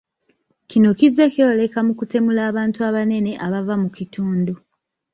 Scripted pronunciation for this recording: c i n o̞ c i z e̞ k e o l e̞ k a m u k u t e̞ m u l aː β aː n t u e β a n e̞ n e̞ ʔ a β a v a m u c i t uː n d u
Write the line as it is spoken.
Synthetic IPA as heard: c i n o̞ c i z e̞ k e o l e̞ k a m u k u t e̞ m u l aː β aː n t u a β a n e̞ n e̞ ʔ a β a v a m u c i t uː n d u